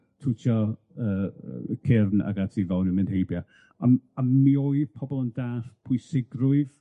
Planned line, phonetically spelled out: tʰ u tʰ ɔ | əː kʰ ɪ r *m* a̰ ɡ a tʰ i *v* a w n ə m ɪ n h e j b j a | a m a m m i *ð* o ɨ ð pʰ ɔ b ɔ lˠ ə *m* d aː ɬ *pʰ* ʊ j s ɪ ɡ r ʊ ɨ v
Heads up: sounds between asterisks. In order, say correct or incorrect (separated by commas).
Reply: incorrect, correct, incorrect, incorrect, correct